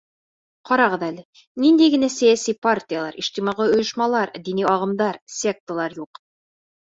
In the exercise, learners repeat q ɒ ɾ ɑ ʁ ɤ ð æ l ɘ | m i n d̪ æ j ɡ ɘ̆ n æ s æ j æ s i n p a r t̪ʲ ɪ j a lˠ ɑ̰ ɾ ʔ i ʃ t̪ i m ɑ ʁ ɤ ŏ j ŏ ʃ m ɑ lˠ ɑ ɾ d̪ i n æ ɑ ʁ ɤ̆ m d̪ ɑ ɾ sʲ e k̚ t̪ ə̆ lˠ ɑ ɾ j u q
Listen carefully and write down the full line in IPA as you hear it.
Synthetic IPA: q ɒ ɾ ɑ ʁ ɤ ð æ l ɘ | n i n d̪ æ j ɡ ɘ̆ n æ s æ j æ s i p a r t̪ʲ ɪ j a lˠ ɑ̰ ɾ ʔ i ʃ t̪ i m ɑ ʁ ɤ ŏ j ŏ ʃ m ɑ lˠ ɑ ɾ d̪ i n i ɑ ʁ ɤ̆ m d̪ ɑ ɾ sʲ e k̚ t̪ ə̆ lˠ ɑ ɾ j u q